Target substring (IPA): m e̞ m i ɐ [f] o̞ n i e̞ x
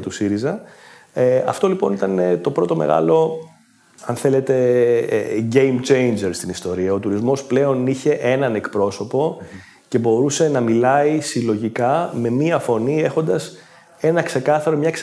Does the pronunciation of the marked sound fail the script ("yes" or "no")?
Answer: no